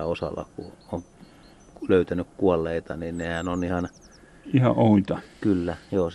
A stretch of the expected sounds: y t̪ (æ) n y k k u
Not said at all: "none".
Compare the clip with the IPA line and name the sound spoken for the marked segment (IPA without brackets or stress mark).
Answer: æ